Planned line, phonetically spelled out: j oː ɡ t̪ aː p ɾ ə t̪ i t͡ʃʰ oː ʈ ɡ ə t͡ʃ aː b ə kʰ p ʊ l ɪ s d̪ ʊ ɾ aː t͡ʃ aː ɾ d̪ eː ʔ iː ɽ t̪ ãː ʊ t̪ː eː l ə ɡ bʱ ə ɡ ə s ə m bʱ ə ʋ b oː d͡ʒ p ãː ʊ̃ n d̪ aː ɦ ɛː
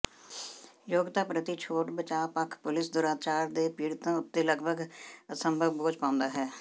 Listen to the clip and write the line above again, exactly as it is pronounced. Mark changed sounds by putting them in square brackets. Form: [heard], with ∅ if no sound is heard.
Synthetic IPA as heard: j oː ɡ t̪ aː p ɾ ə t̪ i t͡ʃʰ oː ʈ [b] ə t͡ʃ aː [p] ə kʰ p ʊ l ɪ s d̪ ʊ ɾ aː t͡ʃ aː ɾ d̪ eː [p] iː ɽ t̪ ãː ʊ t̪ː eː l ə ɡ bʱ ə ɡ ə s ə m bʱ ə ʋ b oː d͡ʒ p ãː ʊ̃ n d̪ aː ɦ ɛː